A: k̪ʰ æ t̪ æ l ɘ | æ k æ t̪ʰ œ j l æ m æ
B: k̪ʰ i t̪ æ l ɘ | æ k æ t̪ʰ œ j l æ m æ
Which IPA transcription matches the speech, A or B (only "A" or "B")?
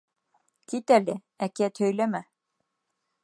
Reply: B